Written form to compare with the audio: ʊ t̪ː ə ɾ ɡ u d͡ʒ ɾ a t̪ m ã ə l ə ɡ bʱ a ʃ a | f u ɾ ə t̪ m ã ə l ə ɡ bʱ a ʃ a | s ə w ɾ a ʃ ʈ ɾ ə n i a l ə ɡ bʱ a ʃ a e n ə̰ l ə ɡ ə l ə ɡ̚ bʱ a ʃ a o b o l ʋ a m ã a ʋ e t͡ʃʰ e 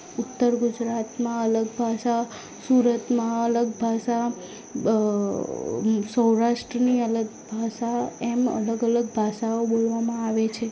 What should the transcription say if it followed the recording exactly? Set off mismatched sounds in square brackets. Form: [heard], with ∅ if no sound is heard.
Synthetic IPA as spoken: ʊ t̪ː ə ɾ ɡ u d͡ʒ ɾ a t̪ m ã ə l ə ɡ bʱ a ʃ a | [s] u ɾ ə t̪ m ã ə l ə ɡ bʱ a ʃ a | s ə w ɾ a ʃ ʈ ɾ ə n i [ə] l ə ɡ bʱ a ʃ a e [m] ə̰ l ə ɡ ə l ə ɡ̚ bʱ a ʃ a o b o l ʋ a m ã a ʋ e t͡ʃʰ e